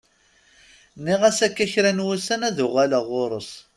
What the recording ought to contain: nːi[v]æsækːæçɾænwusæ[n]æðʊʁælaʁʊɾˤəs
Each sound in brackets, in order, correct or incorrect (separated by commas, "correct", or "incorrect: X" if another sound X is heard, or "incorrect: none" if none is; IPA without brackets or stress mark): incorrect: ʁ, correct